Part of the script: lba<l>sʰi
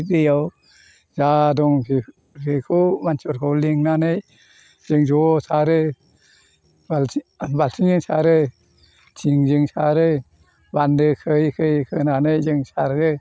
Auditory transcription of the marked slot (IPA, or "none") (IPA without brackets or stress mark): l